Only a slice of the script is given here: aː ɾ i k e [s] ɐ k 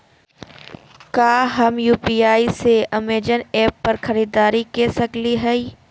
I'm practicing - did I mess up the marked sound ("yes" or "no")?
no